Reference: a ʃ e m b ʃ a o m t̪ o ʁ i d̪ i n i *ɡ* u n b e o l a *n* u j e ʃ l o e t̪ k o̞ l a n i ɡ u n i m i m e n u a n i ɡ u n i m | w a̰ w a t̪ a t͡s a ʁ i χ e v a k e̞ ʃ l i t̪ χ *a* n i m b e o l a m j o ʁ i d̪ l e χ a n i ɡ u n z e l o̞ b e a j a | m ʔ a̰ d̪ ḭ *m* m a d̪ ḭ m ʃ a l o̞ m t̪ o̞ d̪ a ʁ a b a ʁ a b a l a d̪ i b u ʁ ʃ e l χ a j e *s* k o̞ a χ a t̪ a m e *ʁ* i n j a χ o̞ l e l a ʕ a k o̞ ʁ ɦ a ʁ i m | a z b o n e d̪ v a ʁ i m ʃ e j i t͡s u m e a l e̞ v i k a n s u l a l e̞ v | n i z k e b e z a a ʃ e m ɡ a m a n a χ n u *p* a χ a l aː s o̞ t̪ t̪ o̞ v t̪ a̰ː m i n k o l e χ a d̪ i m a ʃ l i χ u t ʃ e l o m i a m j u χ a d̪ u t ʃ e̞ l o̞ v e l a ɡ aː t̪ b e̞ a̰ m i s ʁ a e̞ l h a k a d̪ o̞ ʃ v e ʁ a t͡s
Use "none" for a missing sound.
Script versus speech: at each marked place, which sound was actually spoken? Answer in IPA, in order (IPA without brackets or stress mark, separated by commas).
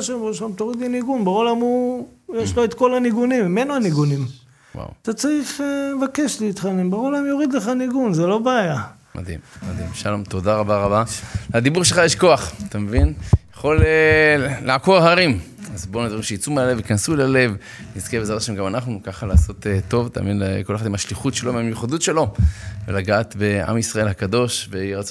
ɡ, m, a, m, ʃ, v, k